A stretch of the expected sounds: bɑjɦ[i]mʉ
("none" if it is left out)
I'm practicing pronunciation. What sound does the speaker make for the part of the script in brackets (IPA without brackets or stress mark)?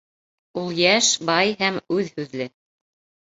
æ